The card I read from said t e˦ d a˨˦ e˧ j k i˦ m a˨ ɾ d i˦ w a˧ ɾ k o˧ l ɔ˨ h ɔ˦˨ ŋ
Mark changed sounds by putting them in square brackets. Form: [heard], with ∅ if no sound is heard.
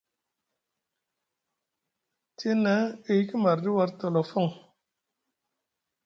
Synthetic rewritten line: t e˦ [n] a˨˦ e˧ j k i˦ m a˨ ɾ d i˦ w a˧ ɾ [t] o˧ l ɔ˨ [f] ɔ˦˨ ŋ